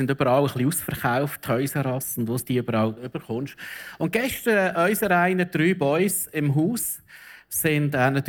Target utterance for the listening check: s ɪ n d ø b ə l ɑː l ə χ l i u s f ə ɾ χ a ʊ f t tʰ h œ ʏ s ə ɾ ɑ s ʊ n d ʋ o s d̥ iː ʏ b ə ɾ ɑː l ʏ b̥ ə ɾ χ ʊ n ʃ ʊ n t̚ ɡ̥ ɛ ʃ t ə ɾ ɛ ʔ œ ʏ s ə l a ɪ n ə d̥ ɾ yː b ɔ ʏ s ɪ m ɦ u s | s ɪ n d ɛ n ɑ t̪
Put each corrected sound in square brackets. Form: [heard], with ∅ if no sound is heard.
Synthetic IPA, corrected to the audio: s ɪ n d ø b ə [ɾ] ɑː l ə χ l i u s f ə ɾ χ a ʊ f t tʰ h œ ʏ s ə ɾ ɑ s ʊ n d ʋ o s d̥ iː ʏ b ə ɾ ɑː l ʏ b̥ ə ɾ χ ʊ n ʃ ʊ n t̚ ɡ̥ ɛ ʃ t ə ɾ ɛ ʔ œ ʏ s ə [ɾ] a ɪ n ə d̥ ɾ yː b ɔ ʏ s ɪ m ɦ [uː] s | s ɪ n d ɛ n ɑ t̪